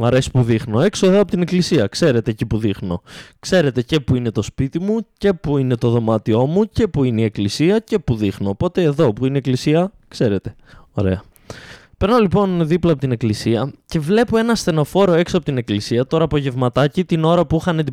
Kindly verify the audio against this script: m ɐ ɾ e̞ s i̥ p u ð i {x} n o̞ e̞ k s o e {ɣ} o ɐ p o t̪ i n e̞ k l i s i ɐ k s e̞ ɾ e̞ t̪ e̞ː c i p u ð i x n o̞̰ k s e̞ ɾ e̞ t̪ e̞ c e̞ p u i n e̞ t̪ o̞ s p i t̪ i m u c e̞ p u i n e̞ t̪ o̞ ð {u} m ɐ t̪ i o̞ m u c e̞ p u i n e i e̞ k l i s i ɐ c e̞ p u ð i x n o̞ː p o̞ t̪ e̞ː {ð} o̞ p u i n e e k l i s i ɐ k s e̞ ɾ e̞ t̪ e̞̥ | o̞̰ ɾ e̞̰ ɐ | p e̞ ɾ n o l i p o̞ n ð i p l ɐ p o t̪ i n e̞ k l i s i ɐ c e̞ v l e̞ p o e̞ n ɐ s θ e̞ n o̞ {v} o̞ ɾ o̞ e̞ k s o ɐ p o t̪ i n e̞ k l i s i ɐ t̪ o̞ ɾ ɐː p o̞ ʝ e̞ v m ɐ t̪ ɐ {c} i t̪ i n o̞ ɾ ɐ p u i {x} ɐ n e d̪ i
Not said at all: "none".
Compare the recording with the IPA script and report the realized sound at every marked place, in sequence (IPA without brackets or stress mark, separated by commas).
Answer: x, ð, o, ð, f, c, x